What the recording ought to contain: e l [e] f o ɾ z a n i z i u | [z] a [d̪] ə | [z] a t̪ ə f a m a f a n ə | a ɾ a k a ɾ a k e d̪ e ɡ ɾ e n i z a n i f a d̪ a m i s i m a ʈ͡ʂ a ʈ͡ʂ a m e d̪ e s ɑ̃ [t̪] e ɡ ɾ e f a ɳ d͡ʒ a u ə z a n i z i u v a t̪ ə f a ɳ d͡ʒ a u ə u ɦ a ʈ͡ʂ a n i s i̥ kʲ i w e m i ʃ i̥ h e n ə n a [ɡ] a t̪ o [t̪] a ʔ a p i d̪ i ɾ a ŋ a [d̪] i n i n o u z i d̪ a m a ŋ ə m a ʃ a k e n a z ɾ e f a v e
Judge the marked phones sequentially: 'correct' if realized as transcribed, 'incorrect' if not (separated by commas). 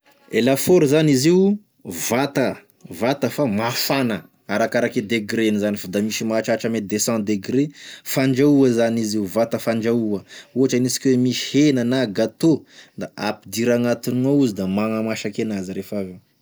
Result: incorrect, incorrect, incorrect, incorrect, incorrect, correct, incorrect, incorrect